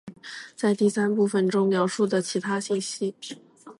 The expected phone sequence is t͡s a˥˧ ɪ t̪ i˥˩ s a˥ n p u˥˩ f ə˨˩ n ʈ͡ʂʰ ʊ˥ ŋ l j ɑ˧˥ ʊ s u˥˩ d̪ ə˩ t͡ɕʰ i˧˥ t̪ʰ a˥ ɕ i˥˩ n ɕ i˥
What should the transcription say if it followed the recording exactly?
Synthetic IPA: t͡s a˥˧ ɪ t̪ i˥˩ s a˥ n p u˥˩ f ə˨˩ n ʈ͡ʂ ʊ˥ ŋ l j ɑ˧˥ ʊ ʂ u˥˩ d̪ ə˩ t͡ɕʰ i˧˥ t̪ʰ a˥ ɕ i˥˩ n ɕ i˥